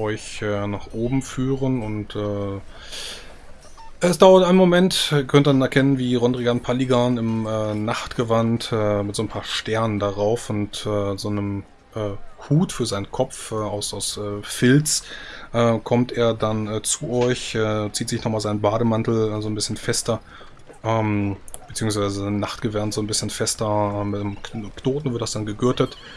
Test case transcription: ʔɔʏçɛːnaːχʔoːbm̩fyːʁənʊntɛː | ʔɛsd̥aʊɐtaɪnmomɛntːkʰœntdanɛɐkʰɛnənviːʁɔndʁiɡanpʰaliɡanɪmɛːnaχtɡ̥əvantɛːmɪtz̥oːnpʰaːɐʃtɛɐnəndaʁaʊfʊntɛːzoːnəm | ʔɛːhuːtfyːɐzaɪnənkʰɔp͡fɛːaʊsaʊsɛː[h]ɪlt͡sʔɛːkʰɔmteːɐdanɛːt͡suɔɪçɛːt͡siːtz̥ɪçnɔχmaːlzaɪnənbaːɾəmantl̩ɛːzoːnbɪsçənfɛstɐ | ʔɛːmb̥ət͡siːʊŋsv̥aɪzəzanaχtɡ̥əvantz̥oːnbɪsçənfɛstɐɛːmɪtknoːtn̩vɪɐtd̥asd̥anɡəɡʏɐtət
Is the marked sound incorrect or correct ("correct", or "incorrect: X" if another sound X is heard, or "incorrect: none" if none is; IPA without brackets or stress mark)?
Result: incorrect: f